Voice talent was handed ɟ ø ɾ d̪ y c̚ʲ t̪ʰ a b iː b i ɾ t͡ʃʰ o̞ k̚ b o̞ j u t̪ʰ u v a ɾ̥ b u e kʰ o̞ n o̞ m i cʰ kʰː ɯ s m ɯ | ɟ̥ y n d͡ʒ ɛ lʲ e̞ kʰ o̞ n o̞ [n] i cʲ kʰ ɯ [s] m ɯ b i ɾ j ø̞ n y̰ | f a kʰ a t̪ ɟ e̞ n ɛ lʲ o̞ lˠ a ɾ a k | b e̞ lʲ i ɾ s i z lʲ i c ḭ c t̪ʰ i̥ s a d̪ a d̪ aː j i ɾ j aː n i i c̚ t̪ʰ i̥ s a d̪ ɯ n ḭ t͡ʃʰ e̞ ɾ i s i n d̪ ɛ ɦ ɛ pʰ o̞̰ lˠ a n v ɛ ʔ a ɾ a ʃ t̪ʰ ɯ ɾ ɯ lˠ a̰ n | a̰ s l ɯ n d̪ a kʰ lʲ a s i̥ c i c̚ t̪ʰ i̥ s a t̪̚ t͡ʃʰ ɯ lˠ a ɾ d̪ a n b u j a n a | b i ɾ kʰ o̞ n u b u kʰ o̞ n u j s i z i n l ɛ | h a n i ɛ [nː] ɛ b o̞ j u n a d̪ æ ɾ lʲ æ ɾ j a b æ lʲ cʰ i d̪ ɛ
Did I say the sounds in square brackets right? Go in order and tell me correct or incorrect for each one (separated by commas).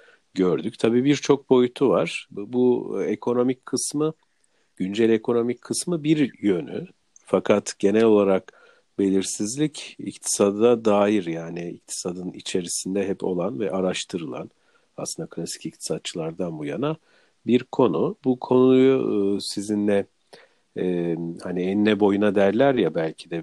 incorrect, correct, correct